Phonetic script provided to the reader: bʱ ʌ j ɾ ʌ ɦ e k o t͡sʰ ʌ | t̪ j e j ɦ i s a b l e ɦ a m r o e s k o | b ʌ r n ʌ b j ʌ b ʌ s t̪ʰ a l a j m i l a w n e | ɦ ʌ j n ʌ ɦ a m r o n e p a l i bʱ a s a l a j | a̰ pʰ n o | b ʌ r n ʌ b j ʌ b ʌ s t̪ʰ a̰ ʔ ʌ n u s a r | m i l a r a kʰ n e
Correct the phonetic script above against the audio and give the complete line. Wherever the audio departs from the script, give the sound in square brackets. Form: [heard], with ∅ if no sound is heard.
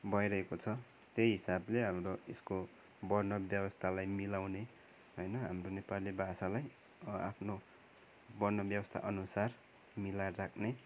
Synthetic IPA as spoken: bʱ ʌ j ɾ ʌ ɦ e k o t͡sʰ ʌ | t̪ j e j ɦ i s a b l e ɦ a m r o e s k o | b ʌ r n ʌ b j ʌ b ʌ s t̪ʰ a l a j m i l a w n e | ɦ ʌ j n ʌ ɦ a m r o n e p a l i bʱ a s a l a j | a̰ pʰ n o | b ʌ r n ʌ b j ʌ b ʌ s t̪ʰ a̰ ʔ ʌ n u s a r | m i l a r a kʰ n e